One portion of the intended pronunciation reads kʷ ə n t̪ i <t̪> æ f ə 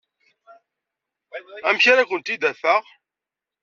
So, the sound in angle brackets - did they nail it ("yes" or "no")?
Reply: no